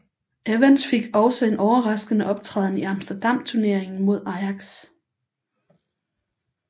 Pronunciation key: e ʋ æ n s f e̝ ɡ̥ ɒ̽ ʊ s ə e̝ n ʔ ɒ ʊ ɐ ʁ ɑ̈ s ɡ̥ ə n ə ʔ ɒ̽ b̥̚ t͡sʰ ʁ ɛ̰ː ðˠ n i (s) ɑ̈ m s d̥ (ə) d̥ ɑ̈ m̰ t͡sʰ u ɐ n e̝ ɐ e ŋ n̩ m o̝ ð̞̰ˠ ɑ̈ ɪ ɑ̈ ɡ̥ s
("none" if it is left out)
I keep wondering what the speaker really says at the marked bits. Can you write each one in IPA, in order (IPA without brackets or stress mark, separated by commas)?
none, ɐ